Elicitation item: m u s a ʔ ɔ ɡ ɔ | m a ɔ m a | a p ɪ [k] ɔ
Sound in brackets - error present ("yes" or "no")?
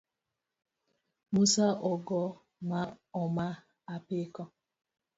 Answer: no